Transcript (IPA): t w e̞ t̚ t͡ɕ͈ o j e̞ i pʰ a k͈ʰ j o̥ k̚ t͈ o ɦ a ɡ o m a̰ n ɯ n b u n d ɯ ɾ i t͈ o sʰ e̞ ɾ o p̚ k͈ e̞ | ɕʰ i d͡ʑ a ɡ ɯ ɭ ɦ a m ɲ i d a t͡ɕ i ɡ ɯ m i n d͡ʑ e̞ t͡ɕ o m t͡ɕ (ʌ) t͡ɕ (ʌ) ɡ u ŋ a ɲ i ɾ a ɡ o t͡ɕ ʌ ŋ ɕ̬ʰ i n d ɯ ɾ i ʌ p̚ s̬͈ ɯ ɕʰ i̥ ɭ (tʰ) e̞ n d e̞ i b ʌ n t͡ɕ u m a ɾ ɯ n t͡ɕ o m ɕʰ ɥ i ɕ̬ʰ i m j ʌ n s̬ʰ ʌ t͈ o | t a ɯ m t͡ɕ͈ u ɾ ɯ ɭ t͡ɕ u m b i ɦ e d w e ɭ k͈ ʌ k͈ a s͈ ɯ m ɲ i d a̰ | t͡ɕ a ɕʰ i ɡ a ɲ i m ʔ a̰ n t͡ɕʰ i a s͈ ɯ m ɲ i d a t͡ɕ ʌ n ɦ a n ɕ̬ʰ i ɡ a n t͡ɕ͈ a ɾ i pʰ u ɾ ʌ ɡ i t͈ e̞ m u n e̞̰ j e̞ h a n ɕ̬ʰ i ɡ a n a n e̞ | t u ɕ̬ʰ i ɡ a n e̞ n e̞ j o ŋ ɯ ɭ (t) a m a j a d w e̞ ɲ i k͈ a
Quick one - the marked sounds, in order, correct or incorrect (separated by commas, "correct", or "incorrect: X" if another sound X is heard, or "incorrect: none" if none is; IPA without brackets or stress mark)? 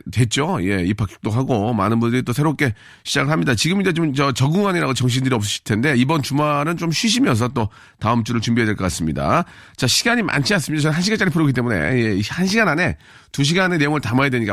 correct, correct, correct, correct